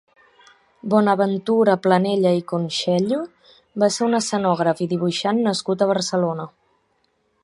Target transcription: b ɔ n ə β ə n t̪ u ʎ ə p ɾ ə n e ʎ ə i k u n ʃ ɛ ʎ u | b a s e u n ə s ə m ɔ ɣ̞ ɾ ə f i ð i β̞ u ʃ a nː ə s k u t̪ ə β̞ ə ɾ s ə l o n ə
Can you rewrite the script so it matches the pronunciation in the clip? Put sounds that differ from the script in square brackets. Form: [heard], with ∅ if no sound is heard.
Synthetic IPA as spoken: b ɔ n ə β ə n t̪ u [ɾ] ə p [l] ə n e ʎ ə i k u n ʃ ɛ ʎ u | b a s e u n ə s ə [n] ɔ ɣ̞ ɾ ə f i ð i β̞ u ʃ a nː ə s k u t̪ ə β̞ ə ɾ s ə l o n ə